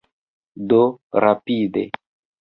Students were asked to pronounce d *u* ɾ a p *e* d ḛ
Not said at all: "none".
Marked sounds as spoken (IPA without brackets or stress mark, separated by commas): o, i